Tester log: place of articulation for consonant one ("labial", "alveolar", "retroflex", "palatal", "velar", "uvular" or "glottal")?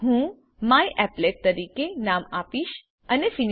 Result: glottal